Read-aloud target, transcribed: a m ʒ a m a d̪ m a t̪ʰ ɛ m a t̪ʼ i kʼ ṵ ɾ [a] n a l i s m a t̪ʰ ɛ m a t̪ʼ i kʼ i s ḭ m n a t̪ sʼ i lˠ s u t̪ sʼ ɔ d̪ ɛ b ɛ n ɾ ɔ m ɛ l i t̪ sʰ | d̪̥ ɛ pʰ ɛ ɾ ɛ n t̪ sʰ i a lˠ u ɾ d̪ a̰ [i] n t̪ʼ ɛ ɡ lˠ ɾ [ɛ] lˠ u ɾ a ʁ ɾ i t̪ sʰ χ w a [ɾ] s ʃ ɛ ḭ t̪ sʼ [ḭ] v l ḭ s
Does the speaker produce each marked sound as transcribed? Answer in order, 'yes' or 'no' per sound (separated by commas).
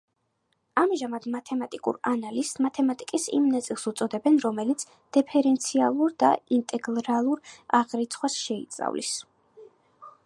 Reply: yes, yes, no, no, no